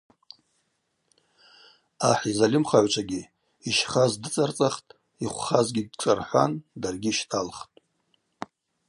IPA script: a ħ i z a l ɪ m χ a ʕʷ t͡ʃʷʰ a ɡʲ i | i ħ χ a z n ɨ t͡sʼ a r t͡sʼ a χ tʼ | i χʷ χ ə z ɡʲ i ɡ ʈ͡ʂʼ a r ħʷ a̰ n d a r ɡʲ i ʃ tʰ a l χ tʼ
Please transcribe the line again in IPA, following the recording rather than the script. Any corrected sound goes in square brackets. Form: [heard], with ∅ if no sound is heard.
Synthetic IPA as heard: a ħ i z a l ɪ m χ a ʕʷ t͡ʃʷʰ a ɡʲ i | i [ʃ] χ a z [d] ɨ t͡sʼ a r t͡sʼ a χ tʼ | i χʷ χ [a] z ɡʲ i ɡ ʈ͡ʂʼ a r ħʷ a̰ n d a r ɡʲ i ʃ tʰ a l χ tʼ